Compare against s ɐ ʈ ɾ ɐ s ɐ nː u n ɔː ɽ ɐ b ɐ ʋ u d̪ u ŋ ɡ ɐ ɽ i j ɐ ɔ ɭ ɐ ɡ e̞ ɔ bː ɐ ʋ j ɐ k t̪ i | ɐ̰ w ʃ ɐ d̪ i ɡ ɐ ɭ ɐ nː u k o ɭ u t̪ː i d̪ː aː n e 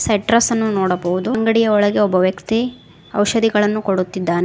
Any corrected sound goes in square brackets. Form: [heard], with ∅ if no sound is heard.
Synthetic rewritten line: s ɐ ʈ ɾ ɐ s ɐ nː u n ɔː ɽ ɐ b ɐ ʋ u d̪ u ŋ ɡ ɐ ɽ i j ɐ ɔ ɭ ɐ ɡ e̞ ɔ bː ɐ ʋ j ɐ k t̪ i | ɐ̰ w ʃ ɐ d̪ i ɡ ɐ ɭ ɐ nː u k o [ɽ] u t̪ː i d̪ː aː n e